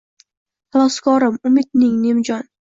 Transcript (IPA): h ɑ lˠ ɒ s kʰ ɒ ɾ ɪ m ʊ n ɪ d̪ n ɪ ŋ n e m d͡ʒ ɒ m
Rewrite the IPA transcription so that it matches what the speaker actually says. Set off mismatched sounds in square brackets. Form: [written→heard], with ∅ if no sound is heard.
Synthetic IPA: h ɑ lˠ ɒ s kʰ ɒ ɾ ɪ m ʊ [n→m] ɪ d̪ n ɪ ŋ n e m d͡ʒ ɒ [m→n]